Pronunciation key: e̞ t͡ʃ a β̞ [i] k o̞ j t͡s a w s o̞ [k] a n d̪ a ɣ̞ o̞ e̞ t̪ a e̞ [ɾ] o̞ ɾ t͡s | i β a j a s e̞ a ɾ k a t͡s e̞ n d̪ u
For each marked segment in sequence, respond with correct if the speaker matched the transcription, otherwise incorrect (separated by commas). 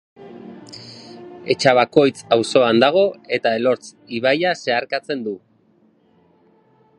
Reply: incorrect, incorrect, incorrect